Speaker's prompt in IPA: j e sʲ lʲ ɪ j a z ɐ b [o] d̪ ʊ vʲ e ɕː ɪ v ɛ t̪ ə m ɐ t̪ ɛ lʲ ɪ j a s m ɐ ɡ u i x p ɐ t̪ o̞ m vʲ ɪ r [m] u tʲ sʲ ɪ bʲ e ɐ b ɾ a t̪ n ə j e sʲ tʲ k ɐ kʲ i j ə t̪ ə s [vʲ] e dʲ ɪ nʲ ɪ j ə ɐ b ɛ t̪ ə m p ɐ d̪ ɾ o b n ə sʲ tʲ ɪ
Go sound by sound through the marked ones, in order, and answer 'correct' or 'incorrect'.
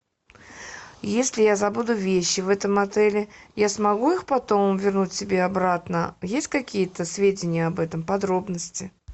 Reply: incorrect: u, incorrect: n, correct

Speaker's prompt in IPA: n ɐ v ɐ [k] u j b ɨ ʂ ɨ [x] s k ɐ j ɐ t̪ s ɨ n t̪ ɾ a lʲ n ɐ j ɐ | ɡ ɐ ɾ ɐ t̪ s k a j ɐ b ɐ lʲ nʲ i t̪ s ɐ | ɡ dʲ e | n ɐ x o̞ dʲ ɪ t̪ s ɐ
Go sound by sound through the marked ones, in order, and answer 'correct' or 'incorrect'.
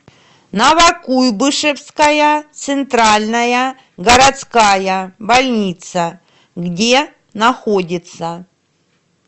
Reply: correct, incorrect: f

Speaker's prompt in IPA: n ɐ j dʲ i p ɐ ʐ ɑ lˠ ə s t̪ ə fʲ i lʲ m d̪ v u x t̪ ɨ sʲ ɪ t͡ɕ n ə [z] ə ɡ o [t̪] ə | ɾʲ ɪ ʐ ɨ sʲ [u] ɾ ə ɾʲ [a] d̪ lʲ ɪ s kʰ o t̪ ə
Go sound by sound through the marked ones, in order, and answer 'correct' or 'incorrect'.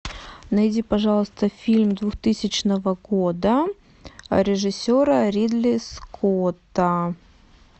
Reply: incorrect: v, incorrect: d̪, incorrect: o, incorrect: i

